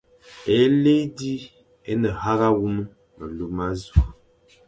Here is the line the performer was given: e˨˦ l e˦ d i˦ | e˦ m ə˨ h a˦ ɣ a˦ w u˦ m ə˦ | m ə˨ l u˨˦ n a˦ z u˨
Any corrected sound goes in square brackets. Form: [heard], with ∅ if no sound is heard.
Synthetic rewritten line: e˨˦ l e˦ d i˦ | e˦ [n] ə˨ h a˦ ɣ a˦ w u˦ m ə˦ | m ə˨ l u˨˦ [m] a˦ z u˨